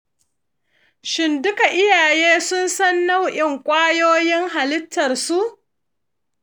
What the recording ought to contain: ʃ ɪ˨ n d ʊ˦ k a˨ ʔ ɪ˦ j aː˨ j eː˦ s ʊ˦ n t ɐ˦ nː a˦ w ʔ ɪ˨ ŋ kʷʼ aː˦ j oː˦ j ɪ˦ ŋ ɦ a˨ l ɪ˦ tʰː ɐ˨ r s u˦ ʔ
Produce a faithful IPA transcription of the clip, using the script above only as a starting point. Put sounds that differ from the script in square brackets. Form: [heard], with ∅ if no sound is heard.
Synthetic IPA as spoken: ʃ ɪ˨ n d ʊ˦ k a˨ ʔ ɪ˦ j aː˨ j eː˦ s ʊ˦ n [s] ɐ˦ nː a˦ w ʔ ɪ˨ ŋ kʷʼ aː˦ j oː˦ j ɪ˦ ŋ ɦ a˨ l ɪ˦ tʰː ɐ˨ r s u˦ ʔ